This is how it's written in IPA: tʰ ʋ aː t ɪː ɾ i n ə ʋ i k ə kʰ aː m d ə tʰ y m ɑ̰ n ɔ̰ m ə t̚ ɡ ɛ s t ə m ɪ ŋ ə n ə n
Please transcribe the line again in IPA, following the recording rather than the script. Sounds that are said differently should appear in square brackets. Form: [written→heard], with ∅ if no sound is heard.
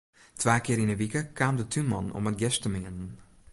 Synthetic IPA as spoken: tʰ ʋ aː [t→k] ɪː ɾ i n ə ʋ i k ə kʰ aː m d ə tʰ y m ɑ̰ n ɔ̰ m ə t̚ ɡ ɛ s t ə m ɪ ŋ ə n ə n